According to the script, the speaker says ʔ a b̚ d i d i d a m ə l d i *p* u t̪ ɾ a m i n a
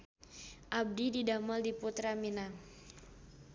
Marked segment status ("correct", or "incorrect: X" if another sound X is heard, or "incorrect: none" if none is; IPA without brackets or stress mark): correct